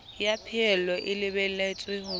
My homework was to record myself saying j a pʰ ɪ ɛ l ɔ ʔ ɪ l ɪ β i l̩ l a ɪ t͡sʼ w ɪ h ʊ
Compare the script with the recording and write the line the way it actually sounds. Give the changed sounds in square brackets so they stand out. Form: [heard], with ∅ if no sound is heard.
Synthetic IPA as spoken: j a pʰ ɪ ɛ l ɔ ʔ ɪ l ɪ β [ɛ] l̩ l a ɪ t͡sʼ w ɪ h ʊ